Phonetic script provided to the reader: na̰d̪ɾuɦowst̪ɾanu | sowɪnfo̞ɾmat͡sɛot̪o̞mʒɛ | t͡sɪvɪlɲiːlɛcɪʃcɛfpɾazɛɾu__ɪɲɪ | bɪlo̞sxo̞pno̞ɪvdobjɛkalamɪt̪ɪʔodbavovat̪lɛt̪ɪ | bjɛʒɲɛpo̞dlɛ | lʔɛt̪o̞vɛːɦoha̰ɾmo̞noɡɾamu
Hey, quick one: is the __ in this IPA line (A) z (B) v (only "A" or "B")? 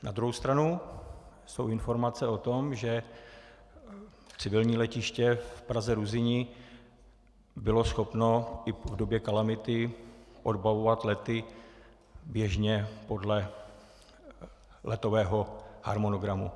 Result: A